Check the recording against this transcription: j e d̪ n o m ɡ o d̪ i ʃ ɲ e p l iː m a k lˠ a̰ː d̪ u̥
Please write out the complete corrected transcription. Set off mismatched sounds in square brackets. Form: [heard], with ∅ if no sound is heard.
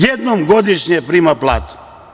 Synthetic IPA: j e d̪ n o m ɡ o d̪ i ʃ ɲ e p [ɾ] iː m a [p] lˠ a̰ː [t̪] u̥